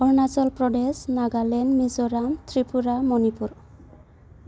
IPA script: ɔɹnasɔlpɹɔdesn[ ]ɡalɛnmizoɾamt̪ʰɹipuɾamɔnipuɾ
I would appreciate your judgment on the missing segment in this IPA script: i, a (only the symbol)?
a